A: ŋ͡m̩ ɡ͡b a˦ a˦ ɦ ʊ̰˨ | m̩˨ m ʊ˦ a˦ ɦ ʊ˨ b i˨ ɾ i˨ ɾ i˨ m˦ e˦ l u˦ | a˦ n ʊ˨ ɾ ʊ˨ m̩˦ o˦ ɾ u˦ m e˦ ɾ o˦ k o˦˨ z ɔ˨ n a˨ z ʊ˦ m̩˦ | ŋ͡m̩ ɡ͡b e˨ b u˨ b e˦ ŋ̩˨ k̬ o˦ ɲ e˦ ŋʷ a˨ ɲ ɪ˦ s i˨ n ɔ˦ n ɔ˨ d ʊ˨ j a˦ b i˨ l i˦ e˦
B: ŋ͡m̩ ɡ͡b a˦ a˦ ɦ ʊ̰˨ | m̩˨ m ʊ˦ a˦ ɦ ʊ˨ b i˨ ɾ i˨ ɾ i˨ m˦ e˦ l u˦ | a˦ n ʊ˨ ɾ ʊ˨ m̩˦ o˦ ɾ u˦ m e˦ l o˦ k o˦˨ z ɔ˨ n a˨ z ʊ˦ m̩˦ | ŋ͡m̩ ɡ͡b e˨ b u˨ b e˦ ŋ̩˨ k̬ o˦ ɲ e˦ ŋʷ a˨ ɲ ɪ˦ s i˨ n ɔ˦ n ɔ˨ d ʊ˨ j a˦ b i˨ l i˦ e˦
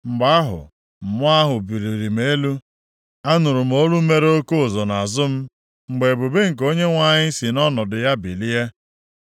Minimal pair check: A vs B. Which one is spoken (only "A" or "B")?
A